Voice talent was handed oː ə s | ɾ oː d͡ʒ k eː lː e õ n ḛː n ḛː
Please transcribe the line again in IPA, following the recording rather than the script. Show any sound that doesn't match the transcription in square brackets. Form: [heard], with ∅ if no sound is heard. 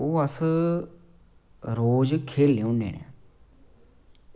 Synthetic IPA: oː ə s | ɾ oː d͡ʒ [kʰ] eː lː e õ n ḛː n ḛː